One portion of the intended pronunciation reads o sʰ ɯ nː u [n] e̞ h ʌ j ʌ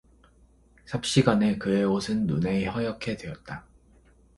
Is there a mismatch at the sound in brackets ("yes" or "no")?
no